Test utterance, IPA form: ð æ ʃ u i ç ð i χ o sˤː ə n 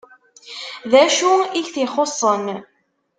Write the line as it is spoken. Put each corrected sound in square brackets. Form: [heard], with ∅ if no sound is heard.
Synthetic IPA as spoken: ð æ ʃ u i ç [θ] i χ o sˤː ə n